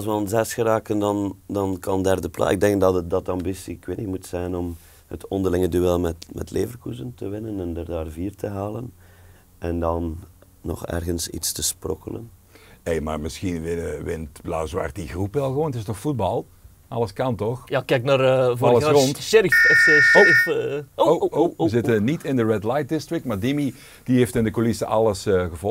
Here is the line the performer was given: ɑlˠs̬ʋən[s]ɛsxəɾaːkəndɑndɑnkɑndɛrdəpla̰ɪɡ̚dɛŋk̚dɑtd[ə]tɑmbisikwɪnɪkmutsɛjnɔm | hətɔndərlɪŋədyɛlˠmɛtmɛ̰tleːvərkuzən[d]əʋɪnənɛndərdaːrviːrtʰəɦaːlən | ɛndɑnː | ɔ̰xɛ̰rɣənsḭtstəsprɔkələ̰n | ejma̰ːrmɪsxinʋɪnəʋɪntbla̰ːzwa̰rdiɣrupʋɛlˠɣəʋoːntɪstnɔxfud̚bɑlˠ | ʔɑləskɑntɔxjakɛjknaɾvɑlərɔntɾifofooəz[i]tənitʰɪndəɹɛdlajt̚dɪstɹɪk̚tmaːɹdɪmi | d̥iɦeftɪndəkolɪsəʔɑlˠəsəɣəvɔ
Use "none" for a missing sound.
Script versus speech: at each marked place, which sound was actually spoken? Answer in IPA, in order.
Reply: z, ɑ, t, ɪ

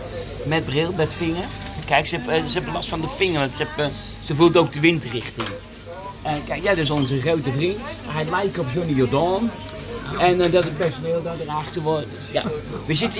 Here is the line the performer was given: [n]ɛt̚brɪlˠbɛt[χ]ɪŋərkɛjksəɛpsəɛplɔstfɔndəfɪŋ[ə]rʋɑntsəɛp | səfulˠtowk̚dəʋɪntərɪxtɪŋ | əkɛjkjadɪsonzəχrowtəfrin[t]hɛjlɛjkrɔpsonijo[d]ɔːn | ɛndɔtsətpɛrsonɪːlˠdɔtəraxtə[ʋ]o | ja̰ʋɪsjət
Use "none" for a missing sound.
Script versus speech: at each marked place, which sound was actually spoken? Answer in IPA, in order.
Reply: m, f, ə, t, d, ʋ

